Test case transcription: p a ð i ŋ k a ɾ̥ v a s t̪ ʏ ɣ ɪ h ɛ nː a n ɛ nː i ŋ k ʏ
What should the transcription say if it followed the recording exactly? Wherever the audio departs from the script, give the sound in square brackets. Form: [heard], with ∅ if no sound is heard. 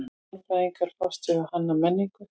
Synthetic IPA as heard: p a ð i ŋ k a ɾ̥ [f] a s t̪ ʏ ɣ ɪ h [a] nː a [m] ɛ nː i ŋ k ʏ